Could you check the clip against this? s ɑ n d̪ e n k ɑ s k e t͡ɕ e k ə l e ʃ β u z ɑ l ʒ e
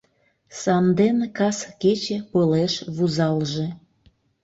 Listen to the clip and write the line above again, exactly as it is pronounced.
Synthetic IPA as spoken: s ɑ n d̪ e n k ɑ s k e t͡ɕ e p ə l e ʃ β u z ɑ l ʒ e